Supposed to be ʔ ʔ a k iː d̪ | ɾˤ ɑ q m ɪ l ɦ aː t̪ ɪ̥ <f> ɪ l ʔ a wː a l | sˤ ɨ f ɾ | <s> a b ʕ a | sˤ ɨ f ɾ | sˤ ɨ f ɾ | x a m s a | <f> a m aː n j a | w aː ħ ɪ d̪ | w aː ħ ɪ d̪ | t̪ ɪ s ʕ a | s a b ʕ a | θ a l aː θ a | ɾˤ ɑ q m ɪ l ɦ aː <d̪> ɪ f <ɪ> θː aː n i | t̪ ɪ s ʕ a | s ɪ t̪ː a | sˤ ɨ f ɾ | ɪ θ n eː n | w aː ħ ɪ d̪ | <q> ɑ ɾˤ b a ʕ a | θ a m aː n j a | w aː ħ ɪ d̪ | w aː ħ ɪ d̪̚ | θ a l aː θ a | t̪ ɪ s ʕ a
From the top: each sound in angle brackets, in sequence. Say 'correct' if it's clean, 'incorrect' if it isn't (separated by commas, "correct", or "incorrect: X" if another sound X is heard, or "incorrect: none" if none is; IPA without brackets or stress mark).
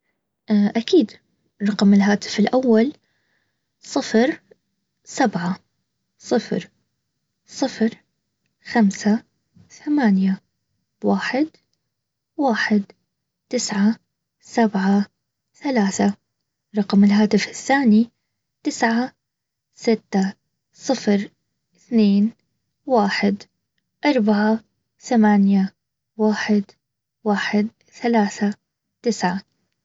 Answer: correct, correct, incorrect: θ, incorrect: t̪, correct, incorrect: ʔ